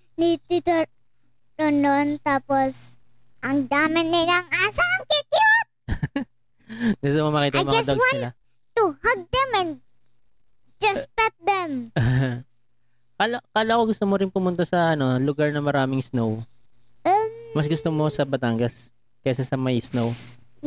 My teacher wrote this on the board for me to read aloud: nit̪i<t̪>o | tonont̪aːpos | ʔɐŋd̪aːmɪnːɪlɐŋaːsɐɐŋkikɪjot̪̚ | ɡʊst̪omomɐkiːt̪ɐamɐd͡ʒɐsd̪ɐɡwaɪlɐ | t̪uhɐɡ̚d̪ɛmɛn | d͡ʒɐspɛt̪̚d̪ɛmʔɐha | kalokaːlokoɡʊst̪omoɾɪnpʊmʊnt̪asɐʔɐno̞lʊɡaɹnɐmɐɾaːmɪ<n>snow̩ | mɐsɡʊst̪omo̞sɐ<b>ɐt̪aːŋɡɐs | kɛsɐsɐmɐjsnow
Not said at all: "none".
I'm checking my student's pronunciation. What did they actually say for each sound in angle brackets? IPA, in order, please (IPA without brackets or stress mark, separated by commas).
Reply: t̪, ŋ, b